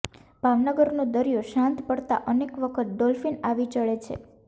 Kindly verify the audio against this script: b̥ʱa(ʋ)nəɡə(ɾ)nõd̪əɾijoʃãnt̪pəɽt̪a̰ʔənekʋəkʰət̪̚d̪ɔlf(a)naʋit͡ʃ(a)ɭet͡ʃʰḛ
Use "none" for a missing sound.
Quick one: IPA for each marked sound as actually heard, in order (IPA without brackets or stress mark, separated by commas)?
ʋ, ɾ, i, ə